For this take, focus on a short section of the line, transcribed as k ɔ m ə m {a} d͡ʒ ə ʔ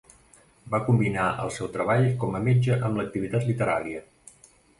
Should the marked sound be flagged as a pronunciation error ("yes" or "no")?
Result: yes